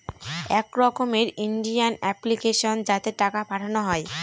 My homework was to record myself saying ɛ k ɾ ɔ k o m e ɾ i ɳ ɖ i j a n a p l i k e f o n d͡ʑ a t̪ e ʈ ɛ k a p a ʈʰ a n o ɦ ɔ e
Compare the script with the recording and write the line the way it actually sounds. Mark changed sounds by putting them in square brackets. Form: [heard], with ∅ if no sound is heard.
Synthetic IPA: ɛ k ɾ ɔ k o m e ɾ i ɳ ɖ i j a n [ɛ] p l i k e [ʃ] o n d͡ʑ a t̪ e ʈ [a] k a p a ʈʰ a n o ɦ ɔ e